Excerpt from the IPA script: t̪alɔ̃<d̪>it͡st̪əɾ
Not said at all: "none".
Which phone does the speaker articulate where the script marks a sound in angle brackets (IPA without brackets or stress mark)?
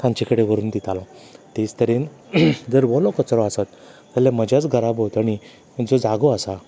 t̪